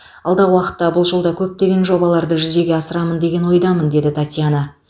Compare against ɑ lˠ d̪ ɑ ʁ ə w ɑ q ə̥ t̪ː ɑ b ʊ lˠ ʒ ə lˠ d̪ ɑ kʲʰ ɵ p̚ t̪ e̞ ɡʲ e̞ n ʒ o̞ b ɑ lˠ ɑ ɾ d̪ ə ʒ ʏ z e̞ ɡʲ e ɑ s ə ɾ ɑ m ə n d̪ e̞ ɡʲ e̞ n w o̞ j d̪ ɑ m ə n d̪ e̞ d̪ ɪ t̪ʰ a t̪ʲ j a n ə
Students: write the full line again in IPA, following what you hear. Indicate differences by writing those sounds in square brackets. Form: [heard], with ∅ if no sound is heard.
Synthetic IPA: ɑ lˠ d̪ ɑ ʁ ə w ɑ q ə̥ t̪ː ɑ b ʊ lˠ ʒ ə lˠ d̪ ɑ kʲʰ ɵ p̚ t̪ e̞ ɡʲ e̞ n ʒ o̞ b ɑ lˠ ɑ ɾ d̪ ə ʒ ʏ z e̞ ɡʲ e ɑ s ə ɾ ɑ m ə n d̪ e̞ ɡʲ e̞ n w o̞ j d̪ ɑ m ə n d̪ e̞ d̪ ɪ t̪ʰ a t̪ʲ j a n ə